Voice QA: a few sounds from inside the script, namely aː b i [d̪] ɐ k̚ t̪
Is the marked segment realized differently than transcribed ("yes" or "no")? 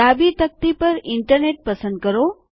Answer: yes